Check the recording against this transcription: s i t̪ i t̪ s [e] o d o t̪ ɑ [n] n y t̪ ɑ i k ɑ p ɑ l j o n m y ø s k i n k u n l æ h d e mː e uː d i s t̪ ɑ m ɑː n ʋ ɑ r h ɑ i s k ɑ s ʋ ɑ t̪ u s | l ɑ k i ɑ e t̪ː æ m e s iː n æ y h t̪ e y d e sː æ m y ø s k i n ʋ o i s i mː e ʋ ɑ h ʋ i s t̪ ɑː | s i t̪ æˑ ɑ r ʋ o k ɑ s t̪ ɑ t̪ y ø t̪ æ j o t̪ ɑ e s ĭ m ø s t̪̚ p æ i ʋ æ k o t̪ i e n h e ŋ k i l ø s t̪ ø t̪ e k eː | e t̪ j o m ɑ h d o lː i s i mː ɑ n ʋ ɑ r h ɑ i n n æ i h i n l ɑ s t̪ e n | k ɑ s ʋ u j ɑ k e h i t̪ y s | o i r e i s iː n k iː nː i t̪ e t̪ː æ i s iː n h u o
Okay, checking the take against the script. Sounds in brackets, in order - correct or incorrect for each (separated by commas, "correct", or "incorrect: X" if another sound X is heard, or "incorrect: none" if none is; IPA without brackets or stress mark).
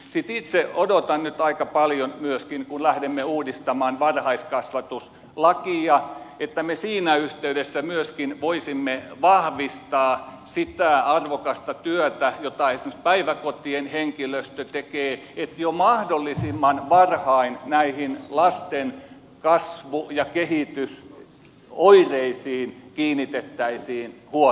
correct, correct